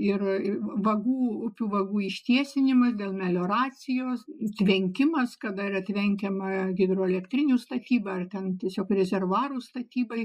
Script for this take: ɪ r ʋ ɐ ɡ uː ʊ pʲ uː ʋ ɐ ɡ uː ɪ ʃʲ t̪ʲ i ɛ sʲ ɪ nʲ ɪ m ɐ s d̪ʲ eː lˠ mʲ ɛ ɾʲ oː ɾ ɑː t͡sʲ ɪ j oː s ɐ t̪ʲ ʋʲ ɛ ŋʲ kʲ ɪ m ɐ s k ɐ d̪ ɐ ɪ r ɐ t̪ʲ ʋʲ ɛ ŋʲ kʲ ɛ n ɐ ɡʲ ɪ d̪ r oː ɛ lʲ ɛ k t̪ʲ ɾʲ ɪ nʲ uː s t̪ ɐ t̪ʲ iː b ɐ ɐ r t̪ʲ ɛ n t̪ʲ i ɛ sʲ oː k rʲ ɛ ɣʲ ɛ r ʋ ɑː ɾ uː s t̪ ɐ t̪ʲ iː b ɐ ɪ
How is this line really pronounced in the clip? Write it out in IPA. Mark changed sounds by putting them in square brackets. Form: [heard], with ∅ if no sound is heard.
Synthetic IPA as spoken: ɪ r ʋ ɐ ɡ uː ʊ pʲ uː ʋ ɐ ɡ uː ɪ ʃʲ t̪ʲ i ɛ sʲ ɪ nʲ ɪ m ɐ s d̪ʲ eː lˠ mʲ ɛ [lʲ] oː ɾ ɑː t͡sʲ ɪ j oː s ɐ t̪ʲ ʋʲ ɛ ŋʲ kʲ ɪ m ɐ s k ɐ d̪ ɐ ɪ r ɐ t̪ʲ ʋʲ ɛ ŋʲ kʲ ɛ [m] ɐ ɡʲ ɪ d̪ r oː ɛ lʲ ɛ k t̪ʲ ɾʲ ɪ nʲ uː s t̪ ɐ t̪ʲ iː b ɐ ɐ r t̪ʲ ɛ n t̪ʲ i ɛ sʲ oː k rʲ ɛ [zʲ] ɛ r ʋ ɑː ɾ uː s t̪ ɐ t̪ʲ iː b ɐ ɪ